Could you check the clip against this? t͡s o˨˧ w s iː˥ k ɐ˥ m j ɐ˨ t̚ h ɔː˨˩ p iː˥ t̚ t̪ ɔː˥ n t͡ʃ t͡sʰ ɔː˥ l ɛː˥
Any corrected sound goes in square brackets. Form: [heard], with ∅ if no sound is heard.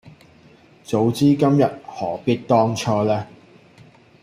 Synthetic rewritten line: t͡s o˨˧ w [t͡s] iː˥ k ɐ˥ m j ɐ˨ t̚ h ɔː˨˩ p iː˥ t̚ t̪ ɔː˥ [ŋ] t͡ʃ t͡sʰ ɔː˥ l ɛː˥